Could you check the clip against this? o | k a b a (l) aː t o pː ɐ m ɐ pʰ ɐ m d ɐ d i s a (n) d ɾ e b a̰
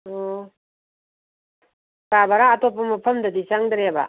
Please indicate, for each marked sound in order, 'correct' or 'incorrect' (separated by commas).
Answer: incorrect, incorrect